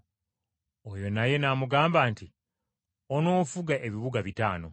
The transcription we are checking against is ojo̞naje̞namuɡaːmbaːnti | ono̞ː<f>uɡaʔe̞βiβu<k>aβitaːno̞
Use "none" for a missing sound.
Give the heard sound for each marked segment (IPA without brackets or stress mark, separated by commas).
f, ɡ